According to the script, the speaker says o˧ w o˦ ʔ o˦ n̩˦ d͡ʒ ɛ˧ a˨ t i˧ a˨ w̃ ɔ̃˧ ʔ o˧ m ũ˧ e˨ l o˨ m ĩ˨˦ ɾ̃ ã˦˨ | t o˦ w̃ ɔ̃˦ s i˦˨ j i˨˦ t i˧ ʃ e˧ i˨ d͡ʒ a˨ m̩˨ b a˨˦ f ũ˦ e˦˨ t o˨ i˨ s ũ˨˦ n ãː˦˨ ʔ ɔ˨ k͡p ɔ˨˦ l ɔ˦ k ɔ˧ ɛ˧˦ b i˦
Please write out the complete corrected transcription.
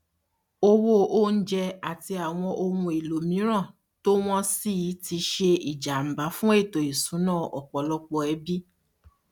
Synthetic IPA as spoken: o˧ w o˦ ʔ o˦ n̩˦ d͡ʒ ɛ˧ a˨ t i˧ a˨ w̃ ɔ̃˧ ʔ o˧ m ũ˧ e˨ l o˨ m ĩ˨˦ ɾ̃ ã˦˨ | t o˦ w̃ ɔ̃˦ s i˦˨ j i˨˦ t i˧ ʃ e˧ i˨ d͡ʒ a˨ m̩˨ b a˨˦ f ũ˦ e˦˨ t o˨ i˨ s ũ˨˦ n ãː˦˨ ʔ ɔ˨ k͡p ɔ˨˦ l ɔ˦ k͡p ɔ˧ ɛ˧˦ b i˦